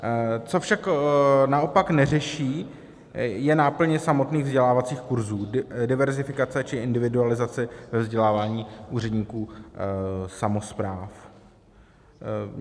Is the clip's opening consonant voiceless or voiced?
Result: voiceless